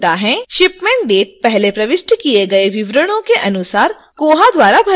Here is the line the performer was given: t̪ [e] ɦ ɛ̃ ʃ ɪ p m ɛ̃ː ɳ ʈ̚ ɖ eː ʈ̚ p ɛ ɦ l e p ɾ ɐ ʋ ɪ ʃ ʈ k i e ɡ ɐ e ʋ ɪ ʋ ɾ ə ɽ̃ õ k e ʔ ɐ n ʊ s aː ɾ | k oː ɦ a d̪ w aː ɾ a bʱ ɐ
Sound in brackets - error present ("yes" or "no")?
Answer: yes